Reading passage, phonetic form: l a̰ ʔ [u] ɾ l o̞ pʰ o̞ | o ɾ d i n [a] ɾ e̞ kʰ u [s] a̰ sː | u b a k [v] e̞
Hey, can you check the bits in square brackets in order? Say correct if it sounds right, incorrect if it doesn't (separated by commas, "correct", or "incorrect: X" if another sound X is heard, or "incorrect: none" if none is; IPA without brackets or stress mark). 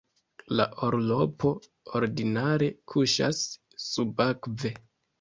incorrect: o, correct, incorrect: ʃ, correct